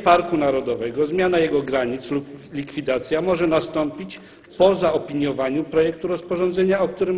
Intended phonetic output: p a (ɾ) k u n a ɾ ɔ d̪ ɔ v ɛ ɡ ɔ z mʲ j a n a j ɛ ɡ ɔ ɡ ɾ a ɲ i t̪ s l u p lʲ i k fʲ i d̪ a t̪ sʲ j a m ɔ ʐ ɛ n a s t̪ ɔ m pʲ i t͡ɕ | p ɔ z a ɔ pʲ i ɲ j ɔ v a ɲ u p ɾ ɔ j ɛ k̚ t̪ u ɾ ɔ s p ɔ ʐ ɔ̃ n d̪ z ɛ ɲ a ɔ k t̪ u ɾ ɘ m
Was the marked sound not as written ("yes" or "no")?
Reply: no